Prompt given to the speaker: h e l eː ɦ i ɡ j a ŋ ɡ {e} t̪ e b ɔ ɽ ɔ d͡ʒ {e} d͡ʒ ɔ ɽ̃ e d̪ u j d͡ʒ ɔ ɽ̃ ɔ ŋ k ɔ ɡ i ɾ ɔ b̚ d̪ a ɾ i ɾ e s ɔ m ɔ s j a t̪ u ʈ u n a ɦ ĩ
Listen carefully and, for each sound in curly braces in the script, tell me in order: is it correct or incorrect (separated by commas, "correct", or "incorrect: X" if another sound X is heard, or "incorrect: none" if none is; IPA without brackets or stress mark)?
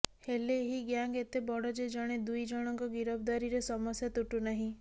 correct, correct